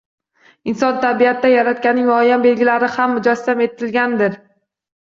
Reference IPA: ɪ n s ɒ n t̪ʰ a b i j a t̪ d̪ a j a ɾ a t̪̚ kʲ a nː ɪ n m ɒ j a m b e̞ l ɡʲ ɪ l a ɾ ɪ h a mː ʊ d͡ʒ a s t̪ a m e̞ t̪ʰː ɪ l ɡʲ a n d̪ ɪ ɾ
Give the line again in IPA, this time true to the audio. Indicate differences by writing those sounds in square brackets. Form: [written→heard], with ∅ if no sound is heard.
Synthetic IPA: ɪ n s ɒ n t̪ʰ a b i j a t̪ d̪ a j a ɾ a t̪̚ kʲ a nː ɪ [n→ŋ] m ɒ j a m b e̞ l ɡʲ ɪ l a ɾ ɪ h a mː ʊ d͡ʒ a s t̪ a m e̞ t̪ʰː ɪ l ɡʲ a n d̪ ɪ ɾ

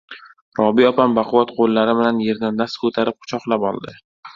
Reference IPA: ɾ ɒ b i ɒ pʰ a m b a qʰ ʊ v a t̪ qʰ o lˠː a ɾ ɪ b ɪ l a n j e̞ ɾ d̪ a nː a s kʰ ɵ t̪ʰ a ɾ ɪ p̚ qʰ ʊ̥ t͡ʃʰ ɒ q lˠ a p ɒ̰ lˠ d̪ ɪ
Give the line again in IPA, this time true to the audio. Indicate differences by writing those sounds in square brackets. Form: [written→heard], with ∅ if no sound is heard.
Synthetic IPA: ɾ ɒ b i ɒ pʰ a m b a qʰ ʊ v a t̪ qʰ o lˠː a ɾ ɪ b ɪ l a n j e̞ ɾ d̪ a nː a s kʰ ɵ t̪ʰ a ɾ ɪ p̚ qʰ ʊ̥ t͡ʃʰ ɒ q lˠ a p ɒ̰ lˠ d̪ ɪ

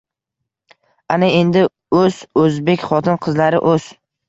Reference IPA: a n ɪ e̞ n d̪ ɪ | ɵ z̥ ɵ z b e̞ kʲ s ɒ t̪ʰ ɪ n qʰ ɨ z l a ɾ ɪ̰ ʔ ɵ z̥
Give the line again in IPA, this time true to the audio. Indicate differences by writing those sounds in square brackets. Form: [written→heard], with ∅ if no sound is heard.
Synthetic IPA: a n ɪ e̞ n d̪ ɪ | ɵ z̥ ɵ z b e̞ kʲ [s→χ] ɒ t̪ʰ ɪ n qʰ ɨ z l a ɾ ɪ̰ ʔ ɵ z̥

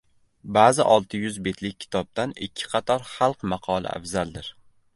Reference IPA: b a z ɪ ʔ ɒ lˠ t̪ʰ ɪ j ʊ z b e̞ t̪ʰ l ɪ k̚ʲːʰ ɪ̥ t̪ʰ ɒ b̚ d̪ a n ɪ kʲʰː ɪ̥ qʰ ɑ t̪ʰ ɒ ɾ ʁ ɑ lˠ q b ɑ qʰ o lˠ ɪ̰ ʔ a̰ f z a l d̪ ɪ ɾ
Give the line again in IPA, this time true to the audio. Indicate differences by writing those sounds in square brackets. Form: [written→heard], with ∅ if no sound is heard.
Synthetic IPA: b a z ɪ ʔ ɒ lˠ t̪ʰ ɪ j ʊ z b e̞ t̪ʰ l ɪ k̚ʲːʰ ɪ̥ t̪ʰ ɒ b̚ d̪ a n ɪ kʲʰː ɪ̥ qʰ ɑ t̪ʰ ɒ ɾ [ʁ→χ] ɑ lˠ q [b→m] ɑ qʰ [o→ɒ] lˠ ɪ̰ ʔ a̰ f z a l d̪ ɪ ɾ

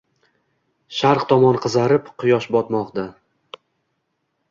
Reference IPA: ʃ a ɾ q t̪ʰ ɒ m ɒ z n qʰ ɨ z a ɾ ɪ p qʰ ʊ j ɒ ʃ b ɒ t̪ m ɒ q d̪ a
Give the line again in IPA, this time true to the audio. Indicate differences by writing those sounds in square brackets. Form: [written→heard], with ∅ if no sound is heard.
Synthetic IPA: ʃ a ɾ q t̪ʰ ɒ m ɒ [z→∅] n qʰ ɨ z a ɾ ɪ p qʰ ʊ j ɒ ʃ b ɒ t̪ m ɒ q d̪ a

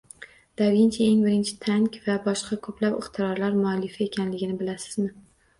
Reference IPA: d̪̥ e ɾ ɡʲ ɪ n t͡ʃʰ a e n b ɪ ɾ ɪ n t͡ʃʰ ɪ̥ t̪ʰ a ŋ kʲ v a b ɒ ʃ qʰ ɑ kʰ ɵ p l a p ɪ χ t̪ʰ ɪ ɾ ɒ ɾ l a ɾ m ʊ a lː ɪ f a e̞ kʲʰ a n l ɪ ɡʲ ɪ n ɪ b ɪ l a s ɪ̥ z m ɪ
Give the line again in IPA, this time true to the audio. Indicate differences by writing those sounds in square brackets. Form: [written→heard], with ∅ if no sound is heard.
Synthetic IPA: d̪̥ [e→a] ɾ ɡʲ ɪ n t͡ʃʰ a e [n→ŋ] b ɪ ɾ ɪ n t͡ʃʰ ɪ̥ t̪ʰ a ŋ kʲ v a b ɒ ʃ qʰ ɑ kʰ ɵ p l a p ɪ χ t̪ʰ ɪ ɾ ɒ ɾ l a ɾ m ʊ a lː ɪ f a e̞ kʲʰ a n l ɪ ɡʲ ɪ n ɪ b ɪ l a s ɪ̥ z m ɪ

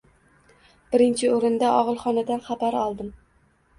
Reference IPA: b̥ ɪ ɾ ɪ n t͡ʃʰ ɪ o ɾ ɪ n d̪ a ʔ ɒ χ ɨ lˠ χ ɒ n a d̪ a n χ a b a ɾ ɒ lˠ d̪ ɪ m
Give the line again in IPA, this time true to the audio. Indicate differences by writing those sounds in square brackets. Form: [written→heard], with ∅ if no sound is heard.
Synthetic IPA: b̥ ɪ ɾ ɪ n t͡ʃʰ ɪ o ɾ ɪ n d̪ a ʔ ɒ [χ→ʁ] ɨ lˠ χ ɒ n a d̪ a n χ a b a ɾ ɒ lˠ d̪ ɪ m

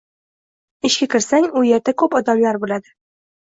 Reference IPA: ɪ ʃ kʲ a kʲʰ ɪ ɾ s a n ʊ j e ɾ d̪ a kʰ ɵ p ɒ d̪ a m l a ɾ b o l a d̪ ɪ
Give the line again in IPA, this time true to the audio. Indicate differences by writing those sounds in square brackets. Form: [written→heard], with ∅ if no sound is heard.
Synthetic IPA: ɪ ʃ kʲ a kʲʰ ɪ ɾ s a [n→ŋ] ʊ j e ɾ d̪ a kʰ ɵ p ɒ d̪ a m l a ɾ b o l a d̪ ɪ

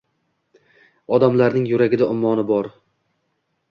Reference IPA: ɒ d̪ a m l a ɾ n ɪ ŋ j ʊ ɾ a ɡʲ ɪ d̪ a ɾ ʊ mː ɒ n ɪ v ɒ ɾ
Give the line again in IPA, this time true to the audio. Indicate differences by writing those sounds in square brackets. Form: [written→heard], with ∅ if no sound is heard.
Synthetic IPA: ɒ d̪ a m l a ɾ n ɪ ŋ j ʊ ɾ a ɡʲ ɪ d̪ a [ɾ→∅] ʊ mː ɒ n ɪ [v→b] ɒ ɾ

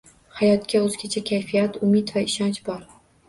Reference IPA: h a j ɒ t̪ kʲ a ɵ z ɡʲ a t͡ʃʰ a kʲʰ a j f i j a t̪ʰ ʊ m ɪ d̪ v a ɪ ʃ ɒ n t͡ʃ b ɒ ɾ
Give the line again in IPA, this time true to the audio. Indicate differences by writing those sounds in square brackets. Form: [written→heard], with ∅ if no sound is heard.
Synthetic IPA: h a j ɒ t̪ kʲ a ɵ z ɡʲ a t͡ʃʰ a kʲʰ a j f i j a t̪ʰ ʊ m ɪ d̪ v a ɪ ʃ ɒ n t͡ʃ b ɒ ɾ

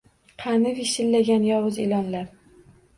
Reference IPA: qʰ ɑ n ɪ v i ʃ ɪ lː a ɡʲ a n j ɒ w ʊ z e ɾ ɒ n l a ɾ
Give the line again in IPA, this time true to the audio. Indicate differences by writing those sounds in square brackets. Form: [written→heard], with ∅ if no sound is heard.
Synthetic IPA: qʰ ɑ n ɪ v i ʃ ɪ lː a ɡʲ a n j ɒ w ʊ z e [ɾ→l] ɒ n l a ɾ

